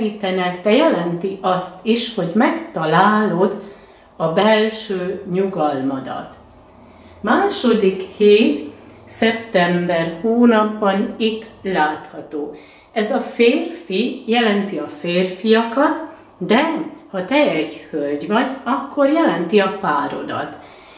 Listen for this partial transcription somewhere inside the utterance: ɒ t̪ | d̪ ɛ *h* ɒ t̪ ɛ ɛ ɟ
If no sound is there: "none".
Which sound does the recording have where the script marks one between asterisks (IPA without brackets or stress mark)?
h